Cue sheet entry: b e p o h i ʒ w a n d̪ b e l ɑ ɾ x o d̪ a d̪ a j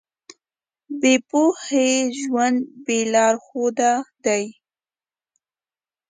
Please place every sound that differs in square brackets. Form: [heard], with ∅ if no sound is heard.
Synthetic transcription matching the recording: b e p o h [e] ʒ w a n d̪ b e l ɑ ɾ x o d̪ a d̪ a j